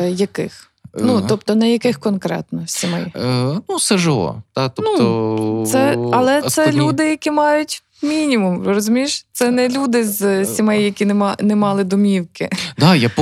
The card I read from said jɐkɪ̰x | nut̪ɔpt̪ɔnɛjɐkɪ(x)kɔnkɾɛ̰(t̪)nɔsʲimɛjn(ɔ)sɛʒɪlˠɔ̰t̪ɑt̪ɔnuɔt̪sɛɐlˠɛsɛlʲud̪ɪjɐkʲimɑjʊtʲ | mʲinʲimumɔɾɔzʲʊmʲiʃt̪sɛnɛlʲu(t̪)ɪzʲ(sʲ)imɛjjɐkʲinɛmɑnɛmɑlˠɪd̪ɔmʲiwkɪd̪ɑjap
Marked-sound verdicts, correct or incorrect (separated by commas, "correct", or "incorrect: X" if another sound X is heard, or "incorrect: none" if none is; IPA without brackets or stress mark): correct, correct, incorrect: u, incorrect: d̪, correct